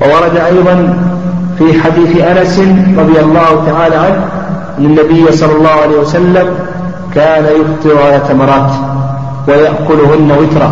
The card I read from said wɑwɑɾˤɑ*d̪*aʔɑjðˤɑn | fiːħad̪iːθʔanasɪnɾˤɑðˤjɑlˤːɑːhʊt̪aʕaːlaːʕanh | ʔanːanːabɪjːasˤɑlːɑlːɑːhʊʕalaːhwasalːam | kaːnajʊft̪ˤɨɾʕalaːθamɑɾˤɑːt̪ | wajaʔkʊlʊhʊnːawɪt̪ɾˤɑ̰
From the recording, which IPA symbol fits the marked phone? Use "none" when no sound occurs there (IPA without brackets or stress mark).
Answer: d̪